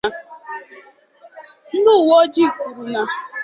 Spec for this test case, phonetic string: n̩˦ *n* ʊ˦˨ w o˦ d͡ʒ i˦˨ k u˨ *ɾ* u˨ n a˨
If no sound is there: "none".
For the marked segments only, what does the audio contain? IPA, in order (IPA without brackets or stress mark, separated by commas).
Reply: d, ɾ